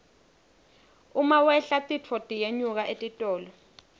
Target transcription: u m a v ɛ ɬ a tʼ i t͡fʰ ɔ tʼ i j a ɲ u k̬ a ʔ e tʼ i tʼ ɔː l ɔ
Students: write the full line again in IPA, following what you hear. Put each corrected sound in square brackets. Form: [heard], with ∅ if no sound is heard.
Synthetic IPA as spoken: u m a [w] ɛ ɬ a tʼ i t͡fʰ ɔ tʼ i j [e] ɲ u k̬ a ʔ e tʼ i tʼ ɔː l ɔ